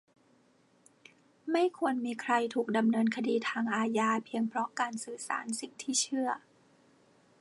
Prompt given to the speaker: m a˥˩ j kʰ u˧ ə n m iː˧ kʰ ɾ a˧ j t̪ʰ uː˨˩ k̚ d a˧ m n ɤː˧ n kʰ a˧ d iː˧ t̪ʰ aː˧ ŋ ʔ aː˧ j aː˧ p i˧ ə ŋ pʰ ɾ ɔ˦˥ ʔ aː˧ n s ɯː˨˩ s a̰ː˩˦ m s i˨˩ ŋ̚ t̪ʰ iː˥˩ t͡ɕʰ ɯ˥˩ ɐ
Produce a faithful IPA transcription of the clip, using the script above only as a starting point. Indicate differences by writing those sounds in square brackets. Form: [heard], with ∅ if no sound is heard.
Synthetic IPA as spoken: m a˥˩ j kʰ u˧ ə n m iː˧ kʰ ɾ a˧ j t̪ʰ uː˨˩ k̚ d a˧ m n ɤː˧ n kʰ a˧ d iː˧ t̪ʰ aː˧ ŋ ʔ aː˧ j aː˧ [pʰ] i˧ ə ŋ pʰ ɾ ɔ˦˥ [k] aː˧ n s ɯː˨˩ s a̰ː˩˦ [n] s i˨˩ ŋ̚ t̪ʰ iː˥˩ t͡ɕʰ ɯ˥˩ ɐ

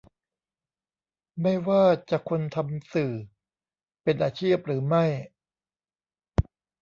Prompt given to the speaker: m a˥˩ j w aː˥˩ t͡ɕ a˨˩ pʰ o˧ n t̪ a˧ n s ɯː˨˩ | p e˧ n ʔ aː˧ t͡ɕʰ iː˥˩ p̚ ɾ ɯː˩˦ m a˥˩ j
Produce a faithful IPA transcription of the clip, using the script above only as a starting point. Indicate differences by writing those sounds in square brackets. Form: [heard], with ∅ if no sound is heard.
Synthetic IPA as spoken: m a˥˩ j w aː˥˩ t͡ɕ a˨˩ [kʰ] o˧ n [t̪ʰ] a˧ [m] s ɯː˨˩ | p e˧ n ʔ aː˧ t͡ɕʰ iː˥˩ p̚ ɾ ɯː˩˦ m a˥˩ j

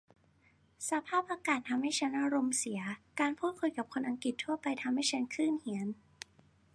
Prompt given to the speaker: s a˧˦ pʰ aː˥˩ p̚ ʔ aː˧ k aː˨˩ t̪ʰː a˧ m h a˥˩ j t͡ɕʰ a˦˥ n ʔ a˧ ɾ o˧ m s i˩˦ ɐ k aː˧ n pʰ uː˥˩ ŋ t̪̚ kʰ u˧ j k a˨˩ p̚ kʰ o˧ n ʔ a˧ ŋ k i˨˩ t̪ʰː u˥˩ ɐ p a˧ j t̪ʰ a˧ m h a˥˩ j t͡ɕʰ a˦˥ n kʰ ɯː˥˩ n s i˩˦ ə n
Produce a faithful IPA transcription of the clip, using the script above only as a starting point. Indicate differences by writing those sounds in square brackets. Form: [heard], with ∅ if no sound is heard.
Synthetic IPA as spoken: s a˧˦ pʰ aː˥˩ p̚ ʔ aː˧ k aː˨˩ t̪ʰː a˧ m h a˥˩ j t͡ɕʰ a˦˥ n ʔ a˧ ɾ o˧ m s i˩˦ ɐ k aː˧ n pʰ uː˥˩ [∅] t̪̚ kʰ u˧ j k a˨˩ p̚ kʰ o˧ n ʔ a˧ ŋ k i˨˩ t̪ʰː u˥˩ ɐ p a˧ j t̪ʰ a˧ m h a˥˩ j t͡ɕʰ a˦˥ n kʰ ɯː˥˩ n [h] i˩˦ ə n

